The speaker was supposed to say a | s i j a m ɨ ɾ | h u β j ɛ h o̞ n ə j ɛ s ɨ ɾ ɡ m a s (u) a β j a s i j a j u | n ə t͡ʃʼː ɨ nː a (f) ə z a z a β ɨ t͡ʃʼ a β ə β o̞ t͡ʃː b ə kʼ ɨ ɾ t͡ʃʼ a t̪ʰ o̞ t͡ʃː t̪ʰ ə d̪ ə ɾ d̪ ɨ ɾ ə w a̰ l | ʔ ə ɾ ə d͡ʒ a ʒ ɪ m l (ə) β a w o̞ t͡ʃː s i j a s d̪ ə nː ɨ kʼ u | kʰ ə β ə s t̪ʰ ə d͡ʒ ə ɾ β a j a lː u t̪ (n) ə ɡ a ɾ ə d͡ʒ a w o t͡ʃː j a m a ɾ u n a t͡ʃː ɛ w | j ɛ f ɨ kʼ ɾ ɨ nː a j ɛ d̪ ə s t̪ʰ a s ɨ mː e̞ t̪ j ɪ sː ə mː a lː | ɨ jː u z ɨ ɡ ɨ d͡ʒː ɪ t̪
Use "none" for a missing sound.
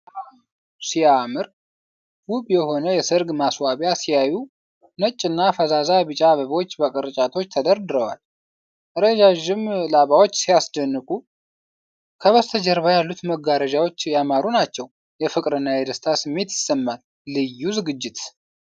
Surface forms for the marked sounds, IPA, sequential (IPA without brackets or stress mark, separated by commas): w, f, a, m